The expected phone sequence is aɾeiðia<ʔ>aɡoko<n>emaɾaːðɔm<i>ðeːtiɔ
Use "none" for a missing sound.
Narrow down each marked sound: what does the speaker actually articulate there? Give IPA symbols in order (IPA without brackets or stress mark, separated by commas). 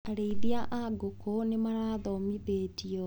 ʔ, n, i